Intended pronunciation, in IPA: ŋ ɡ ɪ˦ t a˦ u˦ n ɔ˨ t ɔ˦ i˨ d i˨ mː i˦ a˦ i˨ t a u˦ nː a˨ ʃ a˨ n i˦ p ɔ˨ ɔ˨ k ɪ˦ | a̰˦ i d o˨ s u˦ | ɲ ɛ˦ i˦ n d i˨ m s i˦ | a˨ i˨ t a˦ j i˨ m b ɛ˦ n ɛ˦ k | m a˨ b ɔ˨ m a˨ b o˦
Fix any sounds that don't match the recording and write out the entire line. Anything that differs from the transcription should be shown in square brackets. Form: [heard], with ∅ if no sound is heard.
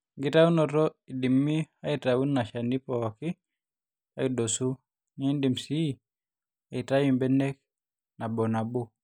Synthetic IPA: ŋ ɡ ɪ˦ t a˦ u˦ n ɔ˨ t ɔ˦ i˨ d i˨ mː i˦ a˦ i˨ t a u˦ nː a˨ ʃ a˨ n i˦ p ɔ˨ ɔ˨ k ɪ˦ | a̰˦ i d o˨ s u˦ | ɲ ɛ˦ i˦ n d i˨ m s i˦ | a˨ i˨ t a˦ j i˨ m b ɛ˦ n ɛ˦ k | [n] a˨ b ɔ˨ [n] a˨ b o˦